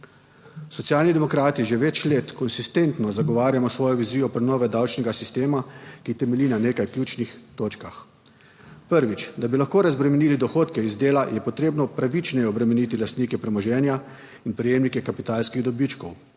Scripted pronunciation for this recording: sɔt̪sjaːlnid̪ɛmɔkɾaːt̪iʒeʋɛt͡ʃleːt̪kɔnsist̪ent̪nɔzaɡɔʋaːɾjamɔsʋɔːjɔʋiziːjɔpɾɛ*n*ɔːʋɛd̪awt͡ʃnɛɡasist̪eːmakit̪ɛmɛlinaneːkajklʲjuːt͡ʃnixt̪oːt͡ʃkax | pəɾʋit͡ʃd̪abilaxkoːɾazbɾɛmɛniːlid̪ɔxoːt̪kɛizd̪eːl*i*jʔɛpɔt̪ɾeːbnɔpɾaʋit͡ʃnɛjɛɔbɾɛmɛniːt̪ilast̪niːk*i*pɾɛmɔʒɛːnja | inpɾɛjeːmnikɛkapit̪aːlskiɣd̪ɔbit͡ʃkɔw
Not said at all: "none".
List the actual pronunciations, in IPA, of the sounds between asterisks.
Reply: n, a, ɛ

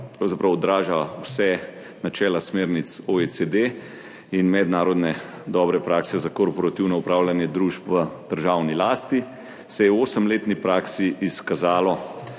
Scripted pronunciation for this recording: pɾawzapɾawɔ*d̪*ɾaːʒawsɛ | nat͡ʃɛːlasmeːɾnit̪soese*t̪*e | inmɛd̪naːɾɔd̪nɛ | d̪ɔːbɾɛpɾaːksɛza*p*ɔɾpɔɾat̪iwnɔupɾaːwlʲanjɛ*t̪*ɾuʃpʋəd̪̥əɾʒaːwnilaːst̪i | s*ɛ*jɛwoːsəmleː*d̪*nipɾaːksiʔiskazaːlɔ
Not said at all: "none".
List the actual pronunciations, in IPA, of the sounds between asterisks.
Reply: d̪, d̪, k, d̪, ɛ, t̪

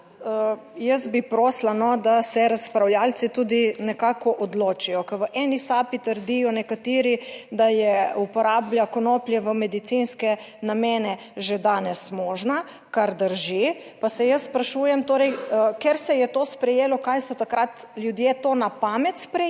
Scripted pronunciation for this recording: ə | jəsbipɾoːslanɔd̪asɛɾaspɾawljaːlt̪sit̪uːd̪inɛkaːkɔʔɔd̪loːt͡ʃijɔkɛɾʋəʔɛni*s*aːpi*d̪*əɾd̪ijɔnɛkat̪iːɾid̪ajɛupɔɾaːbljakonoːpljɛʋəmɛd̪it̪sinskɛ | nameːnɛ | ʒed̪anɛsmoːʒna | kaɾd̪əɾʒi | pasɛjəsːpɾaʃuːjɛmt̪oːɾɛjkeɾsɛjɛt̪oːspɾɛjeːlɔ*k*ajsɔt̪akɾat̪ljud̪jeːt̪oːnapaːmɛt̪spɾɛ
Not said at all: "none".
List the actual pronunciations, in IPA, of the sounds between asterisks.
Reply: s, t̪, k

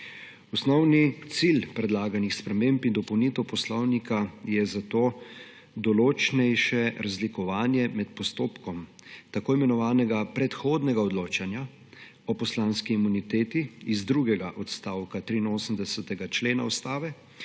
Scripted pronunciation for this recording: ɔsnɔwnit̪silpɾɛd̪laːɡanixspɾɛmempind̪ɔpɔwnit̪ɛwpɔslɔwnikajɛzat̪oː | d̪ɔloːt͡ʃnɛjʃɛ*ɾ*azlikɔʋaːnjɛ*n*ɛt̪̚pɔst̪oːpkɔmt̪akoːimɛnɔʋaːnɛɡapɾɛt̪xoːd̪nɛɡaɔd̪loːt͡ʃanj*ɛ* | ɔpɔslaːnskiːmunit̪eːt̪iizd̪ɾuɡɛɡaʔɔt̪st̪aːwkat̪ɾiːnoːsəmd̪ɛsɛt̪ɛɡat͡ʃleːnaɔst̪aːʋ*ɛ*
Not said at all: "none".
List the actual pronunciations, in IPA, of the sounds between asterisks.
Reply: ɾ, m, a, ɛ

